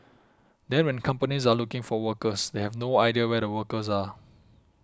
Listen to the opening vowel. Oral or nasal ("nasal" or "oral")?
nasal